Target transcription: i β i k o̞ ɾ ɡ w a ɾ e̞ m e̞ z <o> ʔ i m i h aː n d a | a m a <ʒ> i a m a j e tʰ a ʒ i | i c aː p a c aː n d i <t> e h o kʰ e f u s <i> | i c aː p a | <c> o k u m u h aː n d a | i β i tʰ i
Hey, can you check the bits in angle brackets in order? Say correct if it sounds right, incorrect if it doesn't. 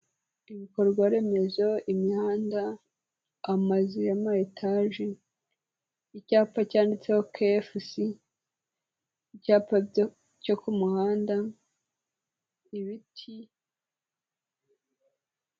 correct, incorrect, incorrect, correct, correct

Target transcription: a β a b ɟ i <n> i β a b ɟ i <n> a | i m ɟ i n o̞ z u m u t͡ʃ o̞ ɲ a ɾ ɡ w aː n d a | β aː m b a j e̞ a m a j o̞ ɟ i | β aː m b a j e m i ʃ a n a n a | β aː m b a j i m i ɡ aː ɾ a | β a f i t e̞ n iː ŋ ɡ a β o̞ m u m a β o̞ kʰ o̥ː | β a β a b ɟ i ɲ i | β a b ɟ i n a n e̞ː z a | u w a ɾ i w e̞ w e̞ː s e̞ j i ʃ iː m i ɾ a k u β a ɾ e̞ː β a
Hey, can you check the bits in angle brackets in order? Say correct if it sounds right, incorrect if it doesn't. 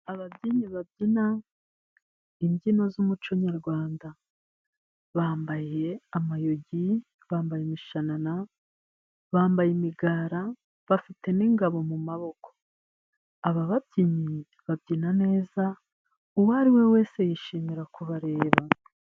incorrect, correct

